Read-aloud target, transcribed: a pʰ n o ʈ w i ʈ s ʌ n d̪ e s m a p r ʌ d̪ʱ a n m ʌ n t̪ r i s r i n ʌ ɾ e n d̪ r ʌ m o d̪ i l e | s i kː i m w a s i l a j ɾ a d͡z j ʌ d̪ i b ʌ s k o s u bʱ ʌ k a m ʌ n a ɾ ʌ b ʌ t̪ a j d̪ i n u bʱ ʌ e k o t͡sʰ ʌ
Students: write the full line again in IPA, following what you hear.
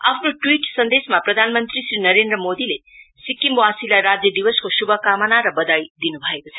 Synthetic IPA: a pʰ n o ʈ w i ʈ s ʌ n d̪ e s m a p r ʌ d̪ʱ a n m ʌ n t̪ r i s r i n ʌ ɾ e n d̪ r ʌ m o d̪ i l e | s i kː i m w a s i l a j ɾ a d͡z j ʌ d̪ i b ʌ s k o s u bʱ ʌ k a m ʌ n a ɾ ʌ b ʌ d̪ a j d̪ i n u bʱ ʌ e k o t͡sʰ ʌ

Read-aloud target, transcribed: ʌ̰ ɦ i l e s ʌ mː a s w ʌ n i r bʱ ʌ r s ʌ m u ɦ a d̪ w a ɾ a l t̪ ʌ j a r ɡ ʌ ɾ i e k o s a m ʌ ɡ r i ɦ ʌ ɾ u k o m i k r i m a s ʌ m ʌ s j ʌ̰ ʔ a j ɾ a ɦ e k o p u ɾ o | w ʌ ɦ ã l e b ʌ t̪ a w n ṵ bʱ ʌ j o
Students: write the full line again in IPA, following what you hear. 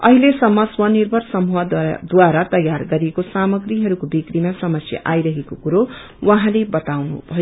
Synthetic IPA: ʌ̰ ɦ i l e s ʌ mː ʌ s w ʌ n i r bʱ ʌ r s ʌ m u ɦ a d̪ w a ɾ a t̪ ʌ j a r ɡ ʌ ɾ i e k o s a m ʌ ɡ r i ɦ ʌ ɾ u k o b i k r i m a s ʌ m ʌ s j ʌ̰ ʔ a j ɾ ʌ ɦ e k o k u ɾ o | w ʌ ɦ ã l e b ʌ t̪ a w n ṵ bʱ ʌ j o

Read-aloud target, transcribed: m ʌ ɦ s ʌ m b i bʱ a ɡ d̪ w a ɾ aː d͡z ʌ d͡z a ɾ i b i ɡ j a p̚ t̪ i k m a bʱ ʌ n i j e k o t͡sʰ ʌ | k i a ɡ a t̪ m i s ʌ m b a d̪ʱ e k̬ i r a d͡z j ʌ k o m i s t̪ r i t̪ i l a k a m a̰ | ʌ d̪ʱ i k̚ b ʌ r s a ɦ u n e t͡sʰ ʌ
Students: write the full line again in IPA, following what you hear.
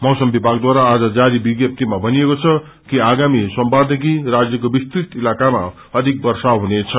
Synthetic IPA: m ʌ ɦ s ʌ m b i bʱ a ɡ d̪ w a ɾ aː d͡z ʌ d͡z a ɾ i b i ɡ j ʌ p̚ t̪ i m a bʱ ʌ n i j e k o t͡sʰ ʌ | k i a ɡ a m i s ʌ m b a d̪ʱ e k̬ i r a d͡z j ʌ k o b i s t̪ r i t̪ i l a k a m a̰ | ʌ d̪ʱ i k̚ b ʌ r s a ɦ u n e t͡sʰ ʌ

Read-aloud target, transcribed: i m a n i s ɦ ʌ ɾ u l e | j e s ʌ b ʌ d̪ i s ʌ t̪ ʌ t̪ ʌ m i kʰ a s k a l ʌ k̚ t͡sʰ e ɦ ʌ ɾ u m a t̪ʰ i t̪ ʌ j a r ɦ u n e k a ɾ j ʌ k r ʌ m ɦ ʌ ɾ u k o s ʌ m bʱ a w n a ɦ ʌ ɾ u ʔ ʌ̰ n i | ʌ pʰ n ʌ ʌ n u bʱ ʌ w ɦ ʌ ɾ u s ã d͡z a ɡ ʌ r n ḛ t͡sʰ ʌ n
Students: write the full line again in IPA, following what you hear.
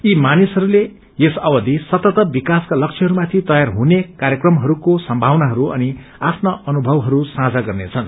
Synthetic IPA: i m a n i s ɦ ʌ ɾ u l e | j e s ʌ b ʌ d̪ i s ʌ t̪ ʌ t̪ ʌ b i k a s k a l ʌ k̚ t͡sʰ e ɦ ʌ ɾ u m a t̪ʰ i t̪ ʌ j a r ɦ u n e k a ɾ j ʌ k r ʌ m ɦ ʌ ɾ u k o s ʌ m bʱ a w n a ɦ ʌ ɾ u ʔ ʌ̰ n i | a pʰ n ʌ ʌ n u bʱ ʌ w ɦ ʌ ɾ u s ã d͡z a ɡ ʌ r n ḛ t͡sʰ ʌ n

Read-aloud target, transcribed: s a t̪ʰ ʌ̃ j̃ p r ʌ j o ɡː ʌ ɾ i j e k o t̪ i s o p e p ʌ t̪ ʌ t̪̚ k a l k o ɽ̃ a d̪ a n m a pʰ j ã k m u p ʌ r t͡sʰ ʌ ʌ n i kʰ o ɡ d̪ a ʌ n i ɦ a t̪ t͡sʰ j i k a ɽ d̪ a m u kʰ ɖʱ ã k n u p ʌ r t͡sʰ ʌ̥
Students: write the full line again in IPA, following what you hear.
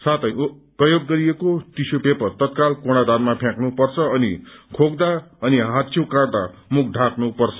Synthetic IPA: s a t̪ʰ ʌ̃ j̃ p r ʌ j o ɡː ʌ ɾ i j e k o t̪ i s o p e p ʌ t̪ ʌ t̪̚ k a l k o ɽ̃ a d̪ a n m a pʰ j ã k n u p ʌ r t͡sʰ ʌ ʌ n i kʰ o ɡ d̪ a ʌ n i ɦ a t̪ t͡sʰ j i k a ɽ d̪ a m u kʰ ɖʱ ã k n u p ʌ r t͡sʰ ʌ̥

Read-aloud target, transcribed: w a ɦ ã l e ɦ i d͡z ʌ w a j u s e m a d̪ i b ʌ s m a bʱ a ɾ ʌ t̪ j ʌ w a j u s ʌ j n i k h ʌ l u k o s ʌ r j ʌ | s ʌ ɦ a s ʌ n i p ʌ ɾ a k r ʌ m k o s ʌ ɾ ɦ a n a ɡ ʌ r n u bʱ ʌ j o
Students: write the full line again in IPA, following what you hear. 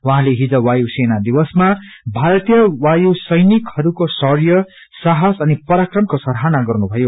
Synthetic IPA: w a ɦ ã l e ɦ i d͡z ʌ w a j u s e n a d̪ i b ʌ s m a bʱ a ɾ ʌ t̪ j ʌ w a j u s ʌ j n i k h ʌ ɾ u k o s ʌ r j ʌ | s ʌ ɦ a s ʌ n i p ʌ ɾ a k r ʌ m k o s ʌ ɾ ɦ a n a ɡ ʌ r n u bʱ ʌ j o

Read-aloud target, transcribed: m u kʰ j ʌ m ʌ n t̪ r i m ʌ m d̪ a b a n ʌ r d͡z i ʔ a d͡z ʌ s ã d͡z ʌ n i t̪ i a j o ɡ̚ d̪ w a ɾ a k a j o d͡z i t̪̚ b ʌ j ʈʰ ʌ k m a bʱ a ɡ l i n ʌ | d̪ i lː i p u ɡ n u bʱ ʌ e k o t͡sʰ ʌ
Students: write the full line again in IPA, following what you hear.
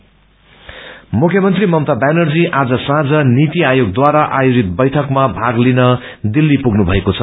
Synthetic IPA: m u kʰ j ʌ m ʌ n t̪ r i m ʌ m t̪ a b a n ʌ r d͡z i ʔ a d͡z ʌ s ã d͡z ʌ n i t̪ i a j o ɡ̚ d̪ w a ɾ a ʔ a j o d͡z i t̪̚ b ʌ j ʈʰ ʌ k m a bʱ a ɡ l i n ʌ | d̪ i lː i p u ɡ n u bʱ ʌ e k o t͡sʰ ʌ

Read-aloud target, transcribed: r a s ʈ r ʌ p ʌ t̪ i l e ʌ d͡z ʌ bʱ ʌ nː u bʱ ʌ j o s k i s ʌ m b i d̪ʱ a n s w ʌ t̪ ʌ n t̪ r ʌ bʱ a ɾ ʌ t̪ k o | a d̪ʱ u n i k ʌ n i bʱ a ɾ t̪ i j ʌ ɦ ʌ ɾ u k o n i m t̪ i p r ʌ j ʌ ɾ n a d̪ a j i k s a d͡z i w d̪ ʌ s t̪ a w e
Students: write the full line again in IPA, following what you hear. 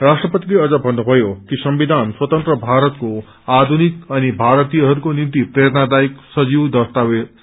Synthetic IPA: r a s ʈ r ʌ p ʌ t̪ i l e ʌ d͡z ʌ bʱ ʌ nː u bʱ ʌ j o k i s ʌ m b i d̪ʱ a n s w ʌ t̪ ʌ n t̪ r ʌ bʱ a ɾ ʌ t̪ k o | a d̪ʱ u n i k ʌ n i bʱ a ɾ t̪ i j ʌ ɦ ʌ ɾ u k o n i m t̪ i p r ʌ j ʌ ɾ n a d̪ a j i k s ʌ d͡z i w d̪ ʌ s t̪ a w e

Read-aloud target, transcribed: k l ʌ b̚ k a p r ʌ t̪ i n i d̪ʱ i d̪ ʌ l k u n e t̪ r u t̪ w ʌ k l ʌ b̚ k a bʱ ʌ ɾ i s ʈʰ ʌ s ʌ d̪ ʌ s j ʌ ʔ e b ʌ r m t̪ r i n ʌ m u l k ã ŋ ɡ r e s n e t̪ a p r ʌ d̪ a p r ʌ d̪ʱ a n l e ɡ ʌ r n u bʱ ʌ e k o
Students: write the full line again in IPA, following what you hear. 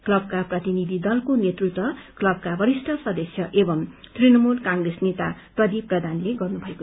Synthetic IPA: k l ʌ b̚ k a p r ʌ t̪ i n i d̪ʱ i d̪ ʌ l k o n e t̪ r u t̪ w ʌ k l ʌ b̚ k a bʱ ʌ ɾ i s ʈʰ ʌ s ʌ d̪ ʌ s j ʌ ʔ e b ʌ m t̪ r i n ʌ m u l k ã ŋ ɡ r e s n e t̪ a p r ʌ d̪ i p r ʌ d̪ʱ a n l e ɡ ʌ r n u bʱ ʌ e k o

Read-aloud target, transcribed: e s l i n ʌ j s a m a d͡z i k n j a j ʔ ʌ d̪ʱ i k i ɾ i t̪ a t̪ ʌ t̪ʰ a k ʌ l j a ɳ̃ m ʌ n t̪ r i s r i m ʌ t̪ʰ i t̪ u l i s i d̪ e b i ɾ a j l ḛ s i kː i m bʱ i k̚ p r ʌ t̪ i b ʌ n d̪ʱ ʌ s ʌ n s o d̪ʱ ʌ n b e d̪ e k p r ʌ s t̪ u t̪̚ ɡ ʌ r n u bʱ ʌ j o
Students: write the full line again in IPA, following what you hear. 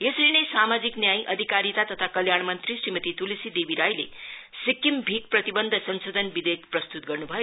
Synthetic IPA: e s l i n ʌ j s a m a d͡z i k n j a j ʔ ʌ d̪ʱ i k a ɾ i t̪ a t̪ ʌ t̪ʰ a k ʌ l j a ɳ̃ m ʌ n t̪ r i s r i m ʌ t̪ i t̪ u l i s i d̪ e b i ɾ a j l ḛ s i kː i m bʱ i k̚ p r ʌ t̪ i b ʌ n d̪ʱ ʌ s ʌ n s o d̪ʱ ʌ n b i d̪ e k p r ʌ s t̪ u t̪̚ ɡ ʌ r n u bʱ ʌ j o

